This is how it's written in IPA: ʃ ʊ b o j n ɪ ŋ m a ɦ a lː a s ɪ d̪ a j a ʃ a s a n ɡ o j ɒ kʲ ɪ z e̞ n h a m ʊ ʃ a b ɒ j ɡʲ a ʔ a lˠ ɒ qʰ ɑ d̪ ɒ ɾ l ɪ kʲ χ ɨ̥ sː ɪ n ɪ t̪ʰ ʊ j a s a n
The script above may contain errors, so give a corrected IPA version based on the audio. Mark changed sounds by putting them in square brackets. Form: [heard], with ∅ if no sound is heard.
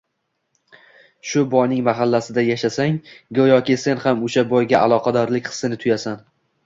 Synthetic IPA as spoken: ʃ ʊ b [ɒ] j n ɪ ŋ m a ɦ a lː a s ɪ d̪ a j a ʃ a s a [ŋ] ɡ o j ɒ kʲ ɪ [s] e̞ n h a m ʊ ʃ a b ɒ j ɡʲ a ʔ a lˠ ɒ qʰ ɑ d̪ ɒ ɾ l ɪ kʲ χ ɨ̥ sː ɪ n ɪ t̪ʰ ʊ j a s a n